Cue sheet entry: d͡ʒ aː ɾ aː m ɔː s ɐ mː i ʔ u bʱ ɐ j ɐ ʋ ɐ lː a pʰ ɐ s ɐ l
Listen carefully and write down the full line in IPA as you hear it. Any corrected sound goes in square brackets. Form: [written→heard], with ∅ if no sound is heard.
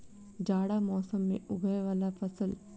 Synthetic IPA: d͡ʒ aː [ɾ→ɽ] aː m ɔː s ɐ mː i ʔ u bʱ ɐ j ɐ ʋ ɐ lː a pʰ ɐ s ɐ l